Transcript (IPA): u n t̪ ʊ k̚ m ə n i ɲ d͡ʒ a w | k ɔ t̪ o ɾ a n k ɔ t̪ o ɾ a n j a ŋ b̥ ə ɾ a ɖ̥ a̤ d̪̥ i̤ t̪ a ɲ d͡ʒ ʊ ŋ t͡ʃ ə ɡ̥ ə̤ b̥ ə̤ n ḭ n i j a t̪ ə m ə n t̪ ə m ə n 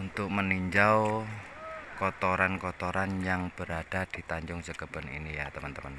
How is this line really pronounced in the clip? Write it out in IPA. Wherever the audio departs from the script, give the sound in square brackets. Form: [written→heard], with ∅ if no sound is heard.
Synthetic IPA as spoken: u n t̪ ʊ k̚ m ə n i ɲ d͡ʒ a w | k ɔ t̪ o ɾ a n k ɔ t̪ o ɾ a n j a ŋ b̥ ə ɾ a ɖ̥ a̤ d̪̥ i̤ t̪ a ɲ d͡ʒ ʊ ŋ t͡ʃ ə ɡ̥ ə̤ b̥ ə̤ n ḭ n i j a t̪ ə m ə n t̪ ə m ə n